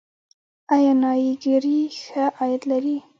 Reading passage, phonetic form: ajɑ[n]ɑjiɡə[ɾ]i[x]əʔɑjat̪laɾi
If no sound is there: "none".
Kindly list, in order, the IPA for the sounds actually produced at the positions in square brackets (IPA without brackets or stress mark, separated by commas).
n, ɾ, x